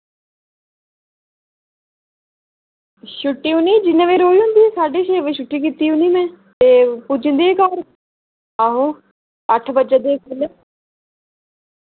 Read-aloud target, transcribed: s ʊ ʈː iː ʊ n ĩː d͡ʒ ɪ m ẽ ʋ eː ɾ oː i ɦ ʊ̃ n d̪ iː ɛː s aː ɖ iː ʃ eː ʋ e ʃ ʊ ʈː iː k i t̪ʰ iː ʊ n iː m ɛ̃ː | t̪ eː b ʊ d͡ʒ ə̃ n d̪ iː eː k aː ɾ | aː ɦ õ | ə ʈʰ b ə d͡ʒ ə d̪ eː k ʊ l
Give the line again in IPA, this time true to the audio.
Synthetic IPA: ʃ ʊ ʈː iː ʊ n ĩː d͡ʒ ɪ n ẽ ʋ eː ɾ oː i ɦ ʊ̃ n d̪ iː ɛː s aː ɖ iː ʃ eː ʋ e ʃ ʊ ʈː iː k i t̪ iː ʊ n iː m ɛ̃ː | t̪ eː p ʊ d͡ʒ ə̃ n d̪ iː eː k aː ɾ | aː ɦ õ | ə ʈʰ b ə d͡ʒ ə d̪ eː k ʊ l